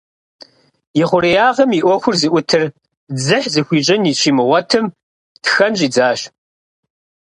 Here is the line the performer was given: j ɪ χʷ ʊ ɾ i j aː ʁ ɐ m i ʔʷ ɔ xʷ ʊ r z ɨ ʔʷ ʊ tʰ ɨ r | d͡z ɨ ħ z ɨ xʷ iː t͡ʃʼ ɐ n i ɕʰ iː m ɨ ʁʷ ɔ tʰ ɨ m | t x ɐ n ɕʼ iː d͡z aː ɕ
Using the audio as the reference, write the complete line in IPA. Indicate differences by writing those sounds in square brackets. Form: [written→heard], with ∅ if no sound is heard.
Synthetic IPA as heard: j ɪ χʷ ʊ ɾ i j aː ʁ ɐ m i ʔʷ ɔ xʷ ʊ r z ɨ ʔʷ ʊ tʰ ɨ r | d͡z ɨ ħ z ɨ xʷ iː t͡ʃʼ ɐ n i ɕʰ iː m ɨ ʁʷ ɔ tʰ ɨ m | t x ɐ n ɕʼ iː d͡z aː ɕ